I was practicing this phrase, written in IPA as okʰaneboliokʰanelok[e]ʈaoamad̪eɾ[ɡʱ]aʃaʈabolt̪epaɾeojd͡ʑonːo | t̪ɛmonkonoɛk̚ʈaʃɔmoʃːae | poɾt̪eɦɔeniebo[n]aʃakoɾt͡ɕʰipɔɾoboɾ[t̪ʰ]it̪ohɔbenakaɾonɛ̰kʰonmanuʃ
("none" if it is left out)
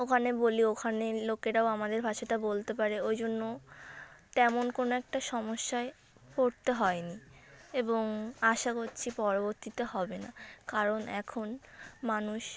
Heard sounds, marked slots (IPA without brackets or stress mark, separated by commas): e, bʱ, ŋ, t̪